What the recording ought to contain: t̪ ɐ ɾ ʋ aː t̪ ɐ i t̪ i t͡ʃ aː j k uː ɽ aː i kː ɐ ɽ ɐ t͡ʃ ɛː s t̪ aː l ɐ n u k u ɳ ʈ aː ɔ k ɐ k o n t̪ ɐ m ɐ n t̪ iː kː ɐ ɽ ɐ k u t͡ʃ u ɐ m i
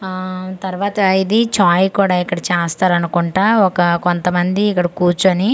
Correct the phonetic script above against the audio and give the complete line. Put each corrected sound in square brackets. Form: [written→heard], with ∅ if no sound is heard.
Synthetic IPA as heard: t̪ ɐ ɾ ʋ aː t̪ ɐ i [t̪→d̪] i t͡ʃ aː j k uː ɽ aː i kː ɐ ɽ ɐ t͡ʃ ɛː s t̪ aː [l→ɾ] ɐ n u k u ɳ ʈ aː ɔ k ɐ k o n t̪ ɐ m ɐ n [t̪→d̪] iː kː ɐ ɽ ɐ k [u→uː] t͡ʃ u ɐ [m→n] i